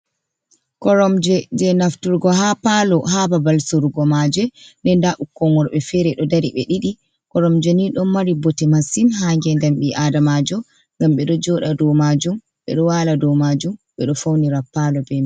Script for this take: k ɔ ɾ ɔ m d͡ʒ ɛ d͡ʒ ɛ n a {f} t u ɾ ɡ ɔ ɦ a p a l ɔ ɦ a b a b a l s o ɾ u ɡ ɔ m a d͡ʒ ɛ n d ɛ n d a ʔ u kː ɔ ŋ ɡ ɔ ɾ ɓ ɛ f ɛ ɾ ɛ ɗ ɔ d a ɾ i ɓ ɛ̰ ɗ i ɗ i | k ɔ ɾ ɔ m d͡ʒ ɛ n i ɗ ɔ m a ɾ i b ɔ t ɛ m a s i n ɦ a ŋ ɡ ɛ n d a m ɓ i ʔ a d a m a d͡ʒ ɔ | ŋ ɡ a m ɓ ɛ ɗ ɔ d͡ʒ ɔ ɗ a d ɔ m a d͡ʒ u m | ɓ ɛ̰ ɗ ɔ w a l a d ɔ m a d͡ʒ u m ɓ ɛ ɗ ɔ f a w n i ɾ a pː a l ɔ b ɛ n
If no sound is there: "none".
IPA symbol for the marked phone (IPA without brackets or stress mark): f